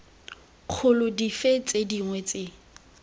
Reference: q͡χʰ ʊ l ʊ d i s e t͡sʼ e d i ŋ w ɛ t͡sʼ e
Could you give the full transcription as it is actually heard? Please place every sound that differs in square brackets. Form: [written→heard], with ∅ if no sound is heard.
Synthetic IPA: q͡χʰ ʊ l ʊ d i [s→f] e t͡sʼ e d i ŋ w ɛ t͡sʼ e